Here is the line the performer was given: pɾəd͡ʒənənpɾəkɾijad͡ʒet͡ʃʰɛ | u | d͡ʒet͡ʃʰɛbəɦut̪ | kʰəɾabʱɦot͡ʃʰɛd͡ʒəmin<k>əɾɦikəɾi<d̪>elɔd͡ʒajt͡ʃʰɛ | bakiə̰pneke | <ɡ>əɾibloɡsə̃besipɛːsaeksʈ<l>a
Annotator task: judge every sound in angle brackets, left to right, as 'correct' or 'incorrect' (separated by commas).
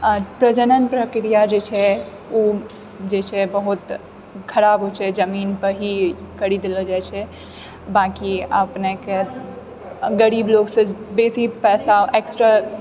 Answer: incorrect, correct, correct, incorrect